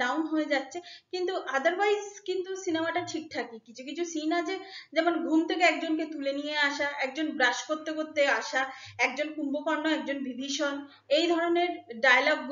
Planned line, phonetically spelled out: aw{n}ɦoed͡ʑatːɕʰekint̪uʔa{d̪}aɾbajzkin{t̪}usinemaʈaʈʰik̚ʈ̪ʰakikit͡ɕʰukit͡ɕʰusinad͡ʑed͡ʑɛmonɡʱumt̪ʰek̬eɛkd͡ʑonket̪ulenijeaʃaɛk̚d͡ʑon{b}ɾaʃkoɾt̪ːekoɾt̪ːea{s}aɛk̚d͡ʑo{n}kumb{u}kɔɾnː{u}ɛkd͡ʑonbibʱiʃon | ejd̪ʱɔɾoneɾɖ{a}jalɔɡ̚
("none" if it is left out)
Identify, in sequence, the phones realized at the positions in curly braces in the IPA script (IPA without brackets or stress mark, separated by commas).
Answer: n, d̪, t̪, b, ʃ, n, o, o, a